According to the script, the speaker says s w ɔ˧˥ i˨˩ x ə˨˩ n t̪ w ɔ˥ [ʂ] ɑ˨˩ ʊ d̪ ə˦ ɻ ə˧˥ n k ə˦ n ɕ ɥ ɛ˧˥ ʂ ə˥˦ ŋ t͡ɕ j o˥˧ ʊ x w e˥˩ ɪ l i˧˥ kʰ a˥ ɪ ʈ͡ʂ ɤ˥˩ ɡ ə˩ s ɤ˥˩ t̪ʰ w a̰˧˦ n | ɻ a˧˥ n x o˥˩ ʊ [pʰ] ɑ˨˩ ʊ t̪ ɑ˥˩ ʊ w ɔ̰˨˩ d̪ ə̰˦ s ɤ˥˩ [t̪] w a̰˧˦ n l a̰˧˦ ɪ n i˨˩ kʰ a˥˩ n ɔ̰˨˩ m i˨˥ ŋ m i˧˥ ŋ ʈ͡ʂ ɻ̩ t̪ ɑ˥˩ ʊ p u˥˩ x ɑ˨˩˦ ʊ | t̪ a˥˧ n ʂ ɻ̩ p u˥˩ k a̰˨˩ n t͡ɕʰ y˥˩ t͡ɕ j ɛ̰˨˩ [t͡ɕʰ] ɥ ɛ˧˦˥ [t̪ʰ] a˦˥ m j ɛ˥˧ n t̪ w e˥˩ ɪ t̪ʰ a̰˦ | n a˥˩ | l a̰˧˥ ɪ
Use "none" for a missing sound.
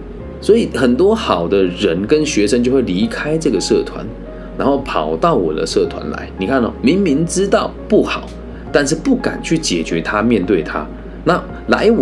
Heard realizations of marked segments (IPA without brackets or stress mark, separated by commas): x, pʰ, t̪ʰ, t͡ɕ, t̪ʰ